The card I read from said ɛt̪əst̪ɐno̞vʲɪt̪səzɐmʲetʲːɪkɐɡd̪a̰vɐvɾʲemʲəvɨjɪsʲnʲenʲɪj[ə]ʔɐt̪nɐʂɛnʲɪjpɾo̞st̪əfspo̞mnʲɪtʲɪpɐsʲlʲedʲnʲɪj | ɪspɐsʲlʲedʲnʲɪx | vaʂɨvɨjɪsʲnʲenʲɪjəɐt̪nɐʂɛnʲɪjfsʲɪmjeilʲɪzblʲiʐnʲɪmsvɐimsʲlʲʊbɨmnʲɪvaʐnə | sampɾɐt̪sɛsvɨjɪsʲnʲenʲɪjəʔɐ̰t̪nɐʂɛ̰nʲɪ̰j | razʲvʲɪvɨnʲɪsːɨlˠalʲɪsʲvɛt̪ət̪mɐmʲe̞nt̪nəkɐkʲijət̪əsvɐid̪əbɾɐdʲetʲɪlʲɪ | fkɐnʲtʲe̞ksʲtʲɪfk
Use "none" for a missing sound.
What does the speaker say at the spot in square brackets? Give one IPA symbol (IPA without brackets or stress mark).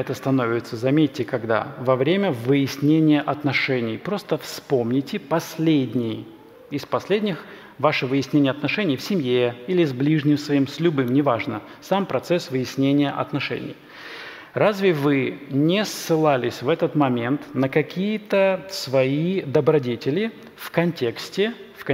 ə